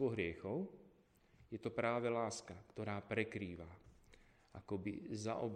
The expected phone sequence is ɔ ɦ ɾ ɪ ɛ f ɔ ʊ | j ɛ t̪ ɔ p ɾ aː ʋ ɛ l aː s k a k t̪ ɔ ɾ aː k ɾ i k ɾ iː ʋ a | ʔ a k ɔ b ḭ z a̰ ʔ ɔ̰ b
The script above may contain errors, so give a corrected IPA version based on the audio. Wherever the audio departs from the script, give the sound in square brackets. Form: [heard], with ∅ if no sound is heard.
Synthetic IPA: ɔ ɦ ɾ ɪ ɛ [x] ɔ ʊ | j ɛ t̪ ɔ p ɾ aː ʋ ɛ l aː s k a k t̪ ɔ ɾ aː [p] ɾ [ɛ] k ɾ iː ʋ a | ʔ a k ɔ b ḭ z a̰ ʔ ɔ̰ b